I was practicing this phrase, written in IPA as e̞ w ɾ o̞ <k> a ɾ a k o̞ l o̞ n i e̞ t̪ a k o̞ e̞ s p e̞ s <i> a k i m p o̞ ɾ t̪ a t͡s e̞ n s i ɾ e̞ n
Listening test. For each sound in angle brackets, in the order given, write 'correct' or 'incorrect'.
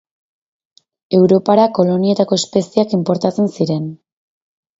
incorrect: p, correct

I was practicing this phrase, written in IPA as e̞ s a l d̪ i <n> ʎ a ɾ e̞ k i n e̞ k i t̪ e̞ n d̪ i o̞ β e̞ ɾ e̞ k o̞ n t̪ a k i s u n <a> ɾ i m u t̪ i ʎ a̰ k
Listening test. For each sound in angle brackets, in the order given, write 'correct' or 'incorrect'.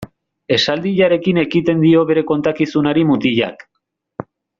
incorrect: none, correct

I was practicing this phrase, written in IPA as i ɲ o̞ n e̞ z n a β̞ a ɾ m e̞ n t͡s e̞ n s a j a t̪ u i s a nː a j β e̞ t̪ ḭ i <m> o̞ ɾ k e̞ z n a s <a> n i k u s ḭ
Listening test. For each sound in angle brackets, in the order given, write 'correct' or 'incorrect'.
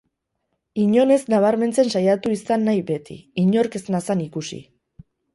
incorrect: ɲ, correct

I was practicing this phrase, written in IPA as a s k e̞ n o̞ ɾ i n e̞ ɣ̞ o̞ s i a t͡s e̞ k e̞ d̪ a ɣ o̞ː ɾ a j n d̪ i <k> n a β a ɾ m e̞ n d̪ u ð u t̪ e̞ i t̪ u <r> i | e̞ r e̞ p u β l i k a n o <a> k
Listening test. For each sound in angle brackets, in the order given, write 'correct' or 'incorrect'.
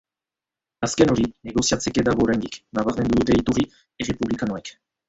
correct, correct, incorrect: e

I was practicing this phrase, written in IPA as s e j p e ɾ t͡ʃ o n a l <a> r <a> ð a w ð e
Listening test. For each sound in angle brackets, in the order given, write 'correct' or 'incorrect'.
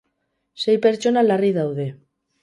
correct, incorrect: i

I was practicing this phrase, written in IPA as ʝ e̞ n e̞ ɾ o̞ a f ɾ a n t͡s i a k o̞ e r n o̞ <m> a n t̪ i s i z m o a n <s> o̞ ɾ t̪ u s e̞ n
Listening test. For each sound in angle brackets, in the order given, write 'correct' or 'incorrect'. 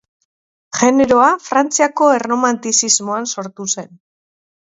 correct, correct

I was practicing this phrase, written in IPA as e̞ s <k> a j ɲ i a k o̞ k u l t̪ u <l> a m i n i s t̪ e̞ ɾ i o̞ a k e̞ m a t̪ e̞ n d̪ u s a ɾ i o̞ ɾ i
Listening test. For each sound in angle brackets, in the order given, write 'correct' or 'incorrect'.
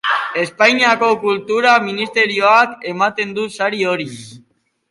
incorrect: p, incorrect: ɾ

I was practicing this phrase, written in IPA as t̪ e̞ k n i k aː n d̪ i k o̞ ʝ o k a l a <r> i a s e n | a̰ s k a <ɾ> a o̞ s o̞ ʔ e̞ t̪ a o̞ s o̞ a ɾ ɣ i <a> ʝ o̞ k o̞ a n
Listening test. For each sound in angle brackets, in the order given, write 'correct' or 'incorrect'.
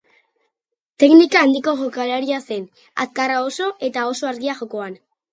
incorrect: ɾ, incorrect: r, correct

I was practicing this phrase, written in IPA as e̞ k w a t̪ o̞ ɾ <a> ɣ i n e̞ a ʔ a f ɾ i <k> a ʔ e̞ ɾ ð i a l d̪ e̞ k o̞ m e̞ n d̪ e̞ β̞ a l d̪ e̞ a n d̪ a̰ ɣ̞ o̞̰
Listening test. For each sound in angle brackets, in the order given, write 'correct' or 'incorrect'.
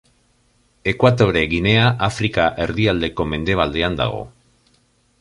incorrect: e, correct

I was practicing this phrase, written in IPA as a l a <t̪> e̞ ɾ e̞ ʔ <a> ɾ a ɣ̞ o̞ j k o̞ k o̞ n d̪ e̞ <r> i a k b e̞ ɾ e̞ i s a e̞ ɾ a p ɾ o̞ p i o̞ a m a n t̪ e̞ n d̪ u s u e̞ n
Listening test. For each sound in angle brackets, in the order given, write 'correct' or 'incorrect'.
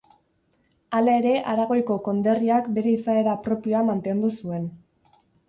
incorrect: none, correct, correct

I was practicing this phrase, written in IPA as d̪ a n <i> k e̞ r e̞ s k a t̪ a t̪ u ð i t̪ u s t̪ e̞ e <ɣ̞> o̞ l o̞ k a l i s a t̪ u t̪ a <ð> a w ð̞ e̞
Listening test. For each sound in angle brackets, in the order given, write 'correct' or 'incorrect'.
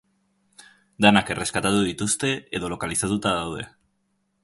incorrect: a, incorrect: ð̞, correct

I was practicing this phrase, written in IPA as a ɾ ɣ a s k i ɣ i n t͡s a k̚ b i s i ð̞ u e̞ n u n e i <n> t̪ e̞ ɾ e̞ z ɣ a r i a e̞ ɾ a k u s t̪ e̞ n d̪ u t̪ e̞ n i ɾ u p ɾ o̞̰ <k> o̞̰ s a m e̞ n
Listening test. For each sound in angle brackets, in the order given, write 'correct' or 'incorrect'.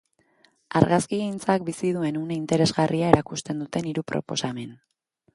correct, incorrect: p

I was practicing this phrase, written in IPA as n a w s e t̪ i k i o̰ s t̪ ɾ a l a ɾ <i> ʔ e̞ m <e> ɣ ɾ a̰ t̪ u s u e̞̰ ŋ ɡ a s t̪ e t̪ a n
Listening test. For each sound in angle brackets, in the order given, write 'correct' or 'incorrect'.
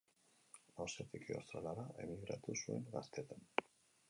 incorrect: a, incorrect: i

